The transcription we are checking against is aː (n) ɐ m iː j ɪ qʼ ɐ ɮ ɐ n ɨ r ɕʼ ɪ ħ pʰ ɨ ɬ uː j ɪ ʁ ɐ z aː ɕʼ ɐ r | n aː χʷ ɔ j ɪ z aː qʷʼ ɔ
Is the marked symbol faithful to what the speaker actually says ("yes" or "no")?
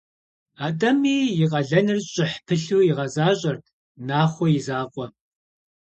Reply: no